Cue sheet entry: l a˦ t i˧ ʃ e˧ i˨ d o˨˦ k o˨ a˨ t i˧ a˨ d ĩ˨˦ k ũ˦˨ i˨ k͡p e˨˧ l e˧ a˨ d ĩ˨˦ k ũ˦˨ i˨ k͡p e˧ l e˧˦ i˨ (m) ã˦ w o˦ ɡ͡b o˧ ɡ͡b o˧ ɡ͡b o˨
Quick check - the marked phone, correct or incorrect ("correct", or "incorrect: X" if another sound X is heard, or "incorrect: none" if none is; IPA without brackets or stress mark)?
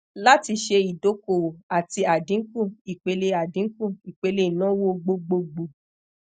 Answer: incorrect: n